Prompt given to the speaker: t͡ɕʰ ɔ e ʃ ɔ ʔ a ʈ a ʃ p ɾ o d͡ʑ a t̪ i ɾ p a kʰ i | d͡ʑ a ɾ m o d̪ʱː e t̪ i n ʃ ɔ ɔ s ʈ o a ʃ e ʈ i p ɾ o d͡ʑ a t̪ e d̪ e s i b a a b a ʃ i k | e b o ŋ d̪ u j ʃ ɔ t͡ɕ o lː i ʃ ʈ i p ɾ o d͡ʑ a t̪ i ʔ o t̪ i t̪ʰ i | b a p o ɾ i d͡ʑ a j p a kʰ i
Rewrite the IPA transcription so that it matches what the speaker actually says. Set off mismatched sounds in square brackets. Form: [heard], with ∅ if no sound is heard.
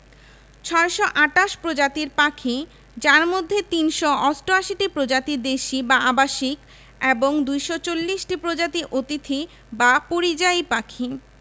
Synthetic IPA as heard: t͡ɕʰ ɔ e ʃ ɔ ʔ a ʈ a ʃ p ɾ o d͡ʑ a t̪ i ɾ p a kʰ i | d͡ʑ a ɾ m o d̪ʱː e t̪ i n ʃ ɔ ɔ s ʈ o a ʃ [i] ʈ i p ɾ o d͡ʑ a t̪ [i] d̪ e [ʃ] i b a a b a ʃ i k | e b o ŋ d̪ u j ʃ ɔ t͡ɕ o lː i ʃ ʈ i p ɾ o d͡ʑ a t̪ i ʔ o t̪ i t̪ʰ i | b a p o ɾ i d͡ʑ a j p a kʰ i